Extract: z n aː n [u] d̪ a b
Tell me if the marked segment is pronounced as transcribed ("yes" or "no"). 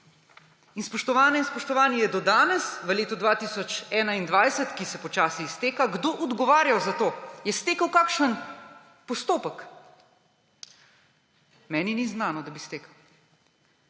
no